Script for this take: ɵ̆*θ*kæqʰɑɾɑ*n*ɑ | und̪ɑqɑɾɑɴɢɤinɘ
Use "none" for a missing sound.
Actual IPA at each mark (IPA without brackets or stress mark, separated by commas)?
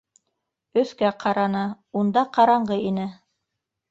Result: θ, n